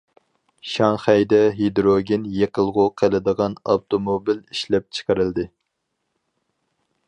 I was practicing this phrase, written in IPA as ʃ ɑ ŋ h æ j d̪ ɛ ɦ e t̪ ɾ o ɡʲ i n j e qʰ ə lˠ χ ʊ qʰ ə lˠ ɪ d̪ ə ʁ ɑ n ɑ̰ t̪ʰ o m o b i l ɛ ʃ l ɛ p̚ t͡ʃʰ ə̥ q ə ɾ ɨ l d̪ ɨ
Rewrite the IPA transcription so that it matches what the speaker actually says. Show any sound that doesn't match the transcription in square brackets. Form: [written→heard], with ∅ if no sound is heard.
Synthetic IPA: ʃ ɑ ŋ [h→χ] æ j d̪ ɛ ɦ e [t̪→d̪] ɾ o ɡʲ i n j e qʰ ə lˠ [χ→ʁ] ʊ qʰ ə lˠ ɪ d̪ ə ʁ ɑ n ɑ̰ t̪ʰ o m o b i l [ɛ→i] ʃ l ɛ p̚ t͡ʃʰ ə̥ q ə ɾ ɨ l d̪ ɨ